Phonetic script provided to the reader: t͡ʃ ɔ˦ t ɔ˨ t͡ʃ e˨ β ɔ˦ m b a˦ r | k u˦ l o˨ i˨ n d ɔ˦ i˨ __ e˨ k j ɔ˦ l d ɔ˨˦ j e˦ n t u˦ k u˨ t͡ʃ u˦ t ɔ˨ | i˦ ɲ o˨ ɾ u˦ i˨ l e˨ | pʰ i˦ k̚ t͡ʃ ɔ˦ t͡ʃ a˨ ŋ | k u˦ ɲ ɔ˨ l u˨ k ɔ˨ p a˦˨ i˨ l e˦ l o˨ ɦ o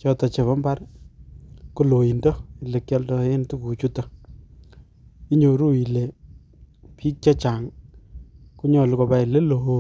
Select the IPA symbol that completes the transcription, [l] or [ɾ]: l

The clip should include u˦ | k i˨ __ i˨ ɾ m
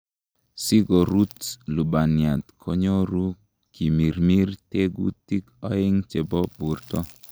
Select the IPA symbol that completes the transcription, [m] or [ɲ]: m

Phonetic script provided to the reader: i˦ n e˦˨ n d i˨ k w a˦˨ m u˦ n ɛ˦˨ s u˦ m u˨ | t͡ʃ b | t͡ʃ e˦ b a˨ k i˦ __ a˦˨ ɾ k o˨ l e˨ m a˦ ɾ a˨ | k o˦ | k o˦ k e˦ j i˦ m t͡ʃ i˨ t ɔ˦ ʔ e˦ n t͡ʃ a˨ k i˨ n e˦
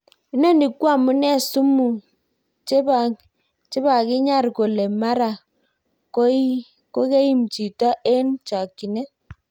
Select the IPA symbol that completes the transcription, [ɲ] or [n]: ɲ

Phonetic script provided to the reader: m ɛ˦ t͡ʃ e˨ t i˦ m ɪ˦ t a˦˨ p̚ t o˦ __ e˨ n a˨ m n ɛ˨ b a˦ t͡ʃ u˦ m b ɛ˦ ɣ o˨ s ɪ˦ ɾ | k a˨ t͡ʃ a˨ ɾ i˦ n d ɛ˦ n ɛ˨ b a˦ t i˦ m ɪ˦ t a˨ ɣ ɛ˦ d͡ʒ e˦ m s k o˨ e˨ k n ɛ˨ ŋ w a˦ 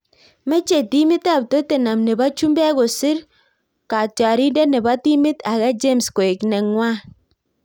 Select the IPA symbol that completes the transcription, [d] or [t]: t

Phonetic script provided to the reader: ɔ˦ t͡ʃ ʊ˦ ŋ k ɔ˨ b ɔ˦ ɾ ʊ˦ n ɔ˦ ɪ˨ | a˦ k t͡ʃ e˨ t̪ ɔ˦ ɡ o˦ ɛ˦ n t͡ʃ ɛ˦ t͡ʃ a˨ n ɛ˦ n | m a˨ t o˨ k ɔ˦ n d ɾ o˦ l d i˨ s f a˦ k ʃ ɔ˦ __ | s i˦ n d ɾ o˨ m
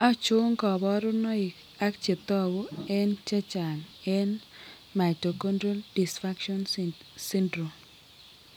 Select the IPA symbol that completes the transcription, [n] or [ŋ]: n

